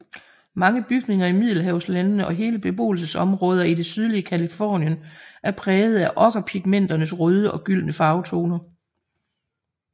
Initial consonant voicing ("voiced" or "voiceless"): voiced